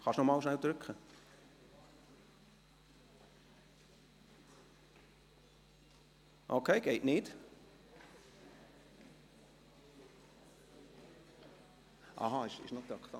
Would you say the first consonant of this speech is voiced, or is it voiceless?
voiceless